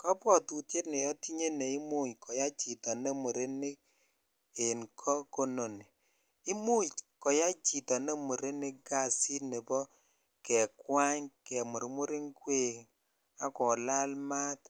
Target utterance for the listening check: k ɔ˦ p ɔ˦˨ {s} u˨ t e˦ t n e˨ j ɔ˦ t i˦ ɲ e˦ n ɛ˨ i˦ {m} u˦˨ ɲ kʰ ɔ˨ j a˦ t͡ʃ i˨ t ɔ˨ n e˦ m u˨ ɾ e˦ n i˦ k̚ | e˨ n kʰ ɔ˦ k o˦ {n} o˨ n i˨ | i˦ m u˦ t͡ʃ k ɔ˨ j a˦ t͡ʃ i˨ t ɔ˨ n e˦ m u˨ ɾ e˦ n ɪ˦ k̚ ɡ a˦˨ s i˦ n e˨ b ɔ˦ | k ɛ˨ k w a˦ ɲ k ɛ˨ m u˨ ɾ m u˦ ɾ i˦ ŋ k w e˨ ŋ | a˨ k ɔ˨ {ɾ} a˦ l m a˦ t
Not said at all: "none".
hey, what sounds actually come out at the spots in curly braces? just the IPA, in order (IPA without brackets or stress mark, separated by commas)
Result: t, m, n, l